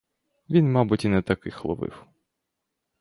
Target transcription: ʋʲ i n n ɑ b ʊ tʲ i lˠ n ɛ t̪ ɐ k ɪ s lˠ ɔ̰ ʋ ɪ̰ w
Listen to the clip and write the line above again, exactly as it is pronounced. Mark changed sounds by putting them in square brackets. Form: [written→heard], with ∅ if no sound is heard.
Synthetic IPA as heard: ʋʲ i n [n→m] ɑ b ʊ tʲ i [lˠ→∅] n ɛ t̪ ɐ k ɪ [s→x] lˠ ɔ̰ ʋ ɪ̰ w